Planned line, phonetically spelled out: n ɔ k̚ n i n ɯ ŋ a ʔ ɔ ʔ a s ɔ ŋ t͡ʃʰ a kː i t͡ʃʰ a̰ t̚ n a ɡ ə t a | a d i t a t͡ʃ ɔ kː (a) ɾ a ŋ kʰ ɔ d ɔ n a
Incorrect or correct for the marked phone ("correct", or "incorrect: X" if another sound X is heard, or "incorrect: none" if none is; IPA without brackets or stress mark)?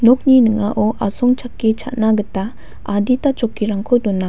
incorrect: i